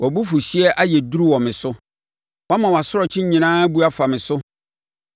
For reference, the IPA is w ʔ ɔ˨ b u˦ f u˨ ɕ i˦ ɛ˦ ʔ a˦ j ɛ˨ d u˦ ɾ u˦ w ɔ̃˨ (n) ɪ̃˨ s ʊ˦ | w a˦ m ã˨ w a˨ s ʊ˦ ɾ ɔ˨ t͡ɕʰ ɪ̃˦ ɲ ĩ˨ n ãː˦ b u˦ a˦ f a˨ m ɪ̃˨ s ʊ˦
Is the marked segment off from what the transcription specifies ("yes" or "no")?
yes